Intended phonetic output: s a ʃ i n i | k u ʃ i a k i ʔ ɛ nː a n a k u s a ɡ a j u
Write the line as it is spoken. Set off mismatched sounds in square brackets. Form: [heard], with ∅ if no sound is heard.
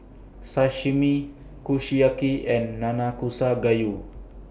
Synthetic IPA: s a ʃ i [m] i | k u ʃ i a k i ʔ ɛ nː a n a k u s a ɡ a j u